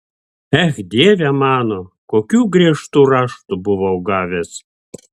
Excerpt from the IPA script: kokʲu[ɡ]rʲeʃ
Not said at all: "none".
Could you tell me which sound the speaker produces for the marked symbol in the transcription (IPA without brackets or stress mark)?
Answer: ɡ